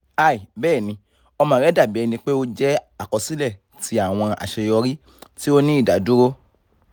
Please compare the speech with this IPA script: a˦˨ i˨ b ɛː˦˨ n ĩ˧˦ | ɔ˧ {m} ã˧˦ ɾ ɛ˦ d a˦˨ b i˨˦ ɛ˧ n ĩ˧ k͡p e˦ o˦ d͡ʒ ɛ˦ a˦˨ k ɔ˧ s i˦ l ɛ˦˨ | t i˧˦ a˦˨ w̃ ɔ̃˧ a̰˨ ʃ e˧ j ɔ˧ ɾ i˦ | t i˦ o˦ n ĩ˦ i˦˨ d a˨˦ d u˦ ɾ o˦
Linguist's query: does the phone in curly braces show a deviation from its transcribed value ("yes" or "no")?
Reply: no